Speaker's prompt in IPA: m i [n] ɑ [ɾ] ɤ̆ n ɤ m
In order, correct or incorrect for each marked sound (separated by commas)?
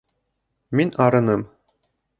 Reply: correct, correct